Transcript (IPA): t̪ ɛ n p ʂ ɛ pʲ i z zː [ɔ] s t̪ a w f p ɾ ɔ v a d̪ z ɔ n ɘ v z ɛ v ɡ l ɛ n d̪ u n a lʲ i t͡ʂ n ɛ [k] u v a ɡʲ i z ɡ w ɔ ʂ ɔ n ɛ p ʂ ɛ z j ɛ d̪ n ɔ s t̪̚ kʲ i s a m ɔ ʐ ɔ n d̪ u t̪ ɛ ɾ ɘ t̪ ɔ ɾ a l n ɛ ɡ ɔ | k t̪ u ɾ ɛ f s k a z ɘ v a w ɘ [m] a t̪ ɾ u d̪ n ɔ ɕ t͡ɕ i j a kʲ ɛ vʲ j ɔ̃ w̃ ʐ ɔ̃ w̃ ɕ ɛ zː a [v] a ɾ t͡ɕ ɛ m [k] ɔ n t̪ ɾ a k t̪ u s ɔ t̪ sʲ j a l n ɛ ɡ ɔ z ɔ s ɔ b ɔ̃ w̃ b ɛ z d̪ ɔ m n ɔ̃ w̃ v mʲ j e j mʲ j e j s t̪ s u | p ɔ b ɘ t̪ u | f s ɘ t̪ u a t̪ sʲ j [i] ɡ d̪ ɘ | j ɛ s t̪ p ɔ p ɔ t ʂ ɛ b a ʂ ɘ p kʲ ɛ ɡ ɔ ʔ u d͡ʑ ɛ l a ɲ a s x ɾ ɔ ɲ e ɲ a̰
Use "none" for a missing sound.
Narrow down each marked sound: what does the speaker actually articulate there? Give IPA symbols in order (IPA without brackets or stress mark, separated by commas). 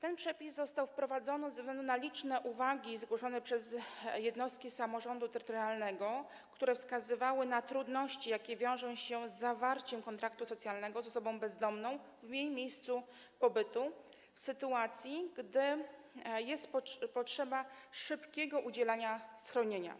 ɔ, ʔ, n, v, k, i